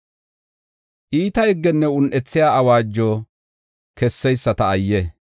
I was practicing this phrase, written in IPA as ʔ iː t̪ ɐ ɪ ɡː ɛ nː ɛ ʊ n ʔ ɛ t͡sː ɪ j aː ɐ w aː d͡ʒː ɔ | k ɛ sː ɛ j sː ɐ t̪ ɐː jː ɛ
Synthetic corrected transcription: ʔ iː t̪ ɐ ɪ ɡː ɛ nː ɛ ʊ n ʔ ɛ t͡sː ɪ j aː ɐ w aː d͡ʒː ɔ | k ɛ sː ɛ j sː ɐ t̪ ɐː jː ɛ